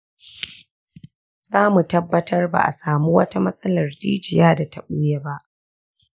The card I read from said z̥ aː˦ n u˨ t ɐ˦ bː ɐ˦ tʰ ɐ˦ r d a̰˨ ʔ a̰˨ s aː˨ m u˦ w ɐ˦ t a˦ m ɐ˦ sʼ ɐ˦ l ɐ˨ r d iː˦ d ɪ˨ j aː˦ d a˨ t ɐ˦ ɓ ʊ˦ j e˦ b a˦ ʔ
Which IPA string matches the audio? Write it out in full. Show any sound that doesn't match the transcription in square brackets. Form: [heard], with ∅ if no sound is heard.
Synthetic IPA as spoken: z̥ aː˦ [m] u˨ t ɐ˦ bː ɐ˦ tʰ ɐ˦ r [b] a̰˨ ʔ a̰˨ s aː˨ m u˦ w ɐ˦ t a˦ m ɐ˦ sʼ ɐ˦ l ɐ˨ r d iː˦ [d͡ʒ] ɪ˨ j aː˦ d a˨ t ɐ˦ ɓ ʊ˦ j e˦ b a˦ ʔ